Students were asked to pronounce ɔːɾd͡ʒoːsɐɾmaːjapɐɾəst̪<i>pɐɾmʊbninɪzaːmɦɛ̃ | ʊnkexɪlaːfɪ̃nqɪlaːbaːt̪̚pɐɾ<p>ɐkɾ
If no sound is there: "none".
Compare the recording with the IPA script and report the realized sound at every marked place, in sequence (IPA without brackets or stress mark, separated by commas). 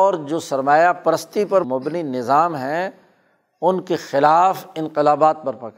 i, p